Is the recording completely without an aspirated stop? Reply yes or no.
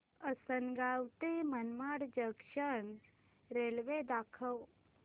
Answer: no